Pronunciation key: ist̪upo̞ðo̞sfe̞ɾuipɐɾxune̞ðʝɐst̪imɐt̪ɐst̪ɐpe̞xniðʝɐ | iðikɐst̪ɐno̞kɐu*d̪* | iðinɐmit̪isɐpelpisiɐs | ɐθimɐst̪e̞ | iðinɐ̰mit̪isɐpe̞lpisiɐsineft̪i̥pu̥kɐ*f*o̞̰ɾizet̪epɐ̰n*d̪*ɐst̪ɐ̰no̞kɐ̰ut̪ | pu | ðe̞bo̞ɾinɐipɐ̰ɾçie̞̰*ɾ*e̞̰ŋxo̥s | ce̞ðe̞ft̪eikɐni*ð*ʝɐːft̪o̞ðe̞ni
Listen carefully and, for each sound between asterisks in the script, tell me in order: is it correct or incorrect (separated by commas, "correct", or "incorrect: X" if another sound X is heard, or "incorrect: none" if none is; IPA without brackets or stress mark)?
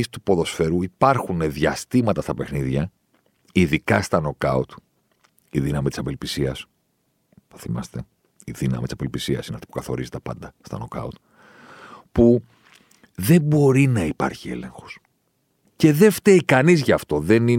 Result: incorrect: t̪, incorrect: θ, correct, incorrect: l, incorrect: z